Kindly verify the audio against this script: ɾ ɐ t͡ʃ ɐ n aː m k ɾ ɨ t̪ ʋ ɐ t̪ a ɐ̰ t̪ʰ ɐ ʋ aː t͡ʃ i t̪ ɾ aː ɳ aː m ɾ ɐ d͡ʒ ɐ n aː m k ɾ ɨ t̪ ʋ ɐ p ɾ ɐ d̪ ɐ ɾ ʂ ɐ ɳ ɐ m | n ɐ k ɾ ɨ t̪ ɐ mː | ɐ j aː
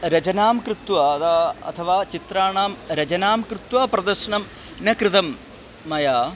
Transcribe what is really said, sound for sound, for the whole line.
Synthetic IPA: ɾ ɐ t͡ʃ ɐ n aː m k ɾ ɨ t̪ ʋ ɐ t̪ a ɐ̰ t̪ʰ ɐ ʋ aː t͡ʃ i t̪ ɾ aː ɳ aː m ɾ ɐ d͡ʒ ɐ n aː m k ɾ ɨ t̪ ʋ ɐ p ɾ ɐ d̪ ɐ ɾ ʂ ɐ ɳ ɐ m | n ɐ k ɾ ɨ t̪ ɐ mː | ɐ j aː